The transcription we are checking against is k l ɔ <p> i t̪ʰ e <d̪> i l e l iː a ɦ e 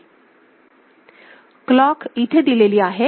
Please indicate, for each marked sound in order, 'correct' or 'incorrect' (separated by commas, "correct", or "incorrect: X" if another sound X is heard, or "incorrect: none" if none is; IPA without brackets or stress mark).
incorrect: k, correct